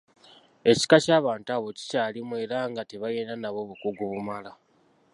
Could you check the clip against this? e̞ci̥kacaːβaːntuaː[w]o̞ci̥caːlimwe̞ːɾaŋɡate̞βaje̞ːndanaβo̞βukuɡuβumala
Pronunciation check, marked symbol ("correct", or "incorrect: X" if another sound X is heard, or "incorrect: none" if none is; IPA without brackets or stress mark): incorrect: β